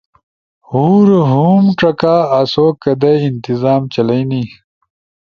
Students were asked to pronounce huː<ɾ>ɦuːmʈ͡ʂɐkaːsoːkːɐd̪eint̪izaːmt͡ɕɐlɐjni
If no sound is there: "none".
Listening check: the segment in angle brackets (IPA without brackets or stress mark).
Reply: ɾ